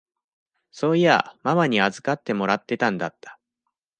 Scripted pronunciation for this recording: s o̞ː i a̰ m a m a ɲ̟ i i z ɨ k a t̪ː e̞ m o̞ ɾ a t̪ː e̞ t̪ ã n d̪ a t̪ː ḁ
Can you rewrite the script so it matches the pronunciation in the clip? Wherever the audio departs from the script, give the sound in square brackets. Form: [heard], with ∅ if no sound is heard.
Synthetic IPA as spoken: s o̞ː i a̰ m a m a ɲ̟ i [a] z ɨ k a t̪ː e̞ m o̞ ɾ a t̪ː e̞ t̪ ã n d̪ a t̪ː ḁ